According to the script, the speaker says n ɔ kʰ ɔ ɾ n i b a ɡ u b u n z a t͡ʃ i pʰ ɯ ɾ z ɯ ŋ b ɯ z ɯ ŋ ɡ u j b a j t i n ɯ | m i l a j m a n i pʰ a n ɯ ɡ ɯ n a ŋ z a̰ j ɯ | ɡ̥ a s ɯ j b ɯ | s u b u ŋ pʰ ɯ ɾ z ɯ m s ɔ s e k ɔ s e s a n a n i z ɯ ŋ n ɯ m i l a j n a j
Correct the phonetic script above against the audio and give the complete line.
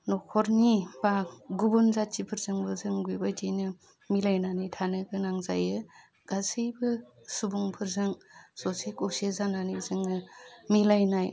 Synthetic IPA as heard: n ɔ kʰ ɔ ɾ n i b a ɡ u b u n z a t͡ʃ i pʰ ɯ ɾ z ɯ ŋ b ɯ z ɯ ŋ ɡ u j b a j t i n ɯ | m i l a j n a n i tʰ a n ɯ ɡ ɯ n a ŋ z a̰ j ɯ | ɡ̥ a s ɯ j b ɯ | s u b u ŋ pʰ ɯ ɾ z ɯ ŋ s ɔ s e k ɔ s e z a n a n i z ɯ ŋ n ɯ m i l a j n a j